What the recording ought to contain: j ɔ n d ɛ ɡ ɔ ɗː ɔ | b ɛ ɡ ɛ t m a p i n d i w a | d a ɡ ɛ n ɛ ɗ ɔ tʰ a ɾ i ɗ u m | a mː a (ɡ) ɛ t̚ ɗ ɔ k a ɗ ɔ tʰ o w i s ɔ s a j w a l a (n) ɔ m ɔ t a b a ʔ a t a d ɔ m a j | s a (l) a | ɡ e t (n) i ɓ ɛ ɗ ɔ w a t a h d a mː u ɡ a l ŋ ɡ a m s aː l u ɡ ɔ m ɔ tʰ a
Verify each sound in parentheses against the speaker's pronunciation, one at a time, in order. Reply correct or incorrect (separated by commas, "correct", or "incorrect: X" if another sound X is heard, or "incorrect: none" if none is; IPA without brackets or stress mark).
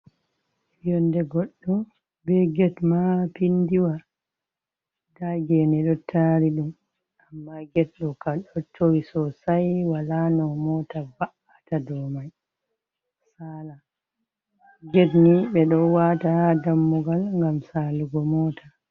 correct, correct, correct, correct